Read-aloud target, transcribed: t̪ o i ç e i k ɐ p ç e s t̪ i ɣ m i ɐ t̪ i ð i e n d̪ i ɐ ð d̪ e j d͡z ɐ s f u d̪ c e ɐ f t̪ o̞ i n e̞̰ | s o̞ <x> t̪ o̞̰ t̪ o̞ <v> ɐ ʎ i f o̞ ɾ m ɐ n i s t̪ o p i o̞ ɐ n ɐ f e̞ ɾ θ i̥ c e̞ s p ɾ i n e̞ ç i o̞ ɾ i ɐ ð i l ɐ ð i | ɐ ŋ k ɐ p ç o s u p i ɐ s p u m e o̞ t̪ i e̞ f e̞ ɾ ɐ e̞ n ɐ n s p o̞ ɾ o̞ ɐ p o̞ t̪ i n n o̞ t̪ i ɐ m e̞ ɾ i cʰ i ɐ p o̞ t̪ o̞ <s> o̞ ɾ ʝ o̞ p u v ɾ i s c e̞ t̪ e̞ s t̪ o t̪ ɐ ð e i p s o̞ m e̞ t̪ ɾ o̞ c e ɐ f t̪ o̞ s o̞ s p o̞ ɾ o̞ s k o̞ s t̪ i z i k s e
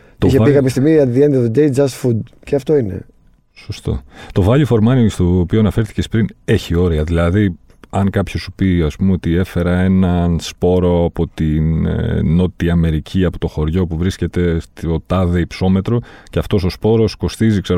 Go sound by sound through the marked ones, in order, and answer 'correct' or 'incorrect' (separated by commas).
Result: incorrect, correct, incorrect